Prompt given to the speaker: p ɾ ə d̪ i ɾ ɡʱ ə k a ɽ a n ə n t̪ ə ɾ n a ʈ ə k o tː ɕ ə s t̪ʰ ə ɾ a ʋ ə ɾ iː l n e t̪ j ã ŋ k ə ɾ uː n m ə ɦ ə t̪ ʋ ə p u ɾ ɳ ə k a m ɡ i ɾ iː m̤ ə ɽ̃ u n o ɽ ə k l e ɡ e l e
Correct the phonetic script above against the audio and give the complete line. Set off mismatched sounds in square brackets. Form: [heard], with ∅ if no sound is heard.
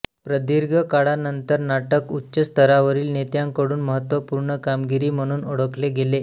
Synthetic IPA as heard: p ɾ ə d̪ i ɾ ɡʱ ə k a ɽ a n ə n t̪ ə ɾ n a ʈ ə k [u] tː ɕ ə s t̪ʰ ə ɾ a ʋ ə ɾ iː l n e t̪ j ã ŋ k ə [ɽ] uː n m ə ɦ ə t̪ ʋ ə p u ɾ ɳ ə k a m ɡ i ɾ iː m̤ ə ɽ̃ [uː] n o ɽ ə k l e ɡ e l e